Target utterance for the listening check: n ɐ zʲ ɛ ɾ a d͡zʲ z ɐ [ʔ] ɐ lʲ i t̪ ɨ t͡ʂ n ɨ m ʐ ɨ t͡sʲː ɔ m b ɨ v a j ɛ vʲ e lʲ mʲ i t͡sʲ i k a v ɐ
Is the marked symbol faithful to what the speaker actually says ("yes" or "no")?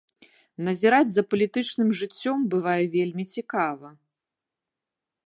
no